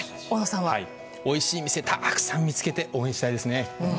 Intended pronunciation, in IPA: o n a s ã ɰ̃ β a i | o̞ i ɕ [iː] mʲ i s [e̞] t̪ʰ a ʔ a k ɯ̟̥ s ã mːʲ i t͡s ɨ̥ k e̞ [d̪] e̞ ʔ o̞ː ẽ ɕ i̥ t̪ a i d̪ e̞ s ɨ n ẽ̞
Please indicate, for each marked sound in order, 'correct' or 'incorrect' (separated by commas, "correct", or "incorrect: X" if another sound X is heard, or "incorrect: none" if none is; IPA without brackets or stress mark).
correct, correct, incorrect: t̪